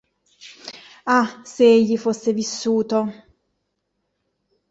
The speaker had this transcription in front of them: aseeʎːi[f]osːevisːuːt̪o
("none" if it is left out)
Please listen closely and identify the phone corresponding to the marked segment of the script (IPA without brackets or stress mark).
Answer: f